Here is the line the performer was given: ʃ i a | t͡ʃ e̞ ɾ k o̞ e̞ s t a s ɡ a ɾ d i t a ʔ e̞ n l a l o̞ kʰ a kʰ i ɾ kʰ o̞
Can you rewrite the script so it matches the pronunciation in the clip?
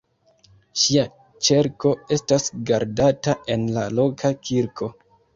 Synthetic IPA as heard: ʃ i a | t͡ʃ e̞ ɾ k o̞ e̞ s t a s ɡ a ɾ d a t a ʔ e̞ n l a l o̞ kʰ a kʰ i ɾ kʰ o̞